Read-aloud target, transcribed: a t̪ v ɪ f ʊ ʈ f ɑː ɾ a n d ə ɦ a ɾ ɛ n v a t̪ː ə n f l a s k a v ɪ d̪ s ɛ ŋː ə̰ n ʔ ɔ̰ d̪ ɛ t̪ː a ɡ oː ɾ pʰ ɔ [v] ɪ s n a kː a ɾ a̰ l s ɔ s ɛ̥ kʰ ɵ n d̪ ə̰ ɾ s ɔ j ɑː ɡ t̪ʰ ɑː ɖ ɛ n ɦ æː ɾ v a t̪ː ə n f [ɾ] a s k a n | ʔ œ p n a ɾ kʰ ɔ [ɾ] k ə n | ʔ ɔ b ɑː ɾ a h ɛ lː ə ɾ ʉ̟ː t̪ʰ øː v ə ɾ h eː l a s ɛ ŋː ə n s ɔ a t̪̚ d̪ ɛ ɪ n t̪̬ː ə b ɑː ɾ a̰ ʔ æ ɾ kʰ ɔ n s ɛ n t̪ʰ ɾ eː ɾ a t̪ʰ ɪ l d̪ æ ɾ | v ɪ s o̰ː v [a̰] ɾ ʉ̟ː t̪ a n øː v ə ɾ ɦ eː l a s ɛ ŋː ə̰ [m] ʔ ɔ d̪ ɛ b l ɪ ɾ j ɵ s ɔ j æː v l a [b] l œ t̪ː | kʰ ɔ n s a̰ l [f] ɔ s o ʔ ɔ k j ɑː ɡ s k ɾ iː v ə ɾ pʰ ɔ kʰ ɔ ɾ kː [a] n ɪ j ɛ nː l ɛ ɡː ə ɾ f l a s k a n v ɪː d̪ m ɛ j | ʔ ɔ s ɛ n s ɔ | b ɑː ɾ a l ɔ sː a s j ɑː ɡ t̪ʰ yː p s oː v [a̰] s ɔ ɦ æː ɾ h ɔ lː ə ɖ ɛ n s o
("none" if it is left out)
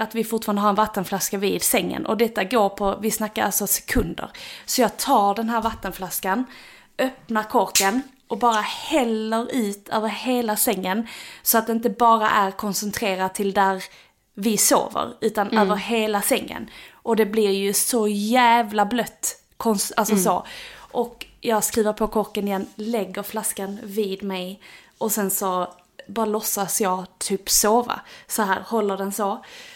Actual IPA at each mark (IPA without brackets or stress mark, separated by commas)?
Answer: v, l, ɾ, ə̰, n, b, s, ə, a̰